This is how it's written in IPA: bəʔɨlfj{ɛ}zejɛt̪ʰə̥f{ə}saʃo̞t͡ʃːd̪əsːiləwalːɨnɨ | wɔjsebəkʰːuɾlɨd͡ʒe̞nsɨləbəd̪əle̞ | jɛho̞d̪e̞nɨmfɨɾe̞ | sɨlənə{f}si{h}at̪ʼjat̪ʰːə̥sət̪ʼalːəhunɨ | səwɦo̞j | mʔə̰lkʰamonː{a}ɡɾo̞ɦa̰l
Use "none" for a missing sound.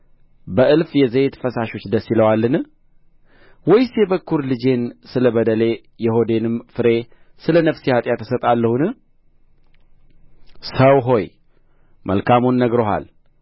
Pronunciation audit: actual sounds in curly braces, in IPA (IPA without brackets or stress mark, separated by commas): ɛ, ə, f, h, ə